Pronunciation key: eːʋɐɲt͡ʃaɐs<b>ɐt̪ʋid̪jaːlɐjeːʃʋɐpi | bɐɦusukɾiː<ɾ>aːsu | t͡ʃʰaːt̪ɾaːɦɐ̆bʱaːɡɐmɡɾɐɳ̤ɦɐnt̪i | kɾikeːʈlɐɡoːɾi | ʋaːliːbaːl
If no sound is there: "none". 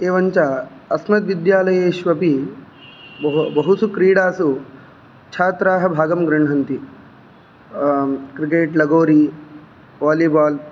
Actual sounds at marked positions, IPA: m, ɽ

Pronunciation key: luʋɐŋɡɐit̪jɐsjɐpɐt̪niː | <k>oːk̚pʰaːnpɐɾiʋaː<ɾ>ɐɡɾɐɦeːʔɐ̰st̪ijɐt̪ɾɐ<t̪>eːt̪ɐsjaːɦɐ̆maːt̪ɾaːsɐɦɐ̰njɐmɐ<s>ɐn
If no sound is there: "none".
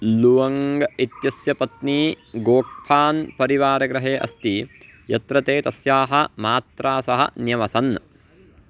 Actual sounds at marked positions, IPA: ɡ, ɾ, t̪, s

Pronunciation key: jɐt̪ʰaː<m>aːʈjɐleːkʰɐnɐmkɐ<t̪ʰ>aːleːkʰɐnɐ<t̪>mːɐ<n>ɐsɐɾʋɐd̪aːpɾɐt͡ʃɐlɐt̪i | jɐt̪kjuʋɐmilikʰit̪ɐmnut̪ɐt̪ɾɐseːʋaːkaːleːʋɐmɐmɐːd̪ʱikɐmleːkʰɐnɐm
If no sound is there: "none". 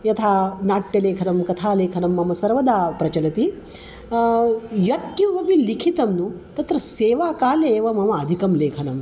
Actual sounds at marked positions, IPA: n, t̪ʰ, none, m

